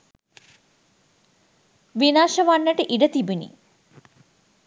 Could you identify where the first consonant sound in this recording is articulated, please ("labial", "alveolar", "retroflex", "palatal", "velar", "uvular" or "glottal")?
labial